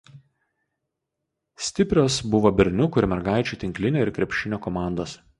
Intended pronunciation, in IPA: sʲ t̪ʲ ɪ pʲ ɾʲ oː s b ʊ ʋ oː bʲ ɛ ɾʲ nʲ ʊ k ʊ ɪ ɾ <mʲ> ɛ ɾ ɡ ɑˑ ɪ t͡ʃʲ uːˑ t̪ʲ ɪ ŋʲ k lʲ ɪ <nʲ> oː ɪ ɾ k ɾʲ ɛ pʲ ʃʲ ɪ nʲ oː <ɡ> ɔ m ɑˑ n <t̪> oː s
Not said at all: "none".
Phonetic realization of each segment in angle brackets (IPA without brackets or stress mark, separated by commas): mʲ, nʲ, k, d̪